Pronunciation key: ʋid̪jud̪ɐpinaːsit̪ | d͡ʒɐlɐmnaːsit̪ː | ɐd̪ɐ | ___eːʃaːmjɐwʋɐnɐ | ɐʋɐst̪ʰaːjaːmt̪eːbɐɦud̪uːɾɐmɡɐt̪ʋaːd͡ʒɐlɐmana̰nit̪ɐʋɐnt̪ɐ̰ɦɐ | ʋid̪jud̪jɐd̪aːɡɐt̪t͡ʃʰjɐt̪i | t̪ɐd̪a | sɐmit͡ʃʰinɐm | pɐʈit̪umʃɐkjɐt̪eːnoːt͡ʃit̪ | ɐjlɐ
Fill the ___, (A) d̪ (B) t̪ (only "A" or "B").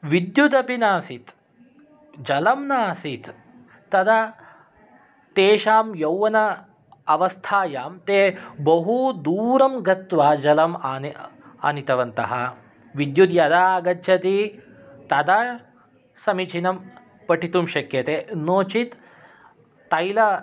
B